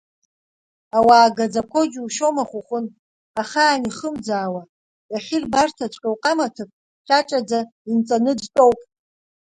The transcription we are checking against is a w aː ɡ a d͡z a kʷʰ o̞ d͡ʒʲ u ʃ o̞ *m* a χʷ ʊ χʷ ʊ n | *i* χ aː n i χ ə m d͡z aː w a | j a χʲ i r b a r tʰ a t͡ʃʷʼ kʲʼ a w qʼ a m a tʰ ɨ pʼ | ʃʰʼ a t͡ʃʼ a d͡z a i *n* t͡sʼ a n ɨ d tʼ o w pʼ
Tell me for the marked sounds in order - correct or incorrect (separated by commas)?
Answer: correct, incorrect, correct